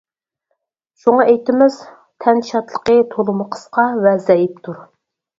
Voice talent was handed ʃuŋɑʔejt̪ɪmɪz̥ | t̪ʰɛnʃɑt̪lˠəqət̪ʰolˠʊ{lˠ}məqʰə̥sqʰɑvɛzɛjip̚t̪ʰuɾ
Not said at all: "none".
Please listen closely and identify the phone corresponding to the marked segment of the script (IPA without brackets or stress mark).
none